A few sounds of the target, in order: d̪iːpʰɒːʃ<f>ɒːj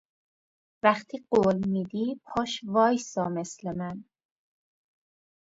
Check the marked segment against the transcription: incorrect: v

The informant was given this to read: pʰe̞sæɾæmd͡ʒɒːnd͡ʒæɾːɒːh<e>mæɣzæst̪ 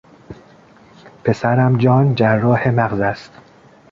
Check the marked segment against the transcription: correct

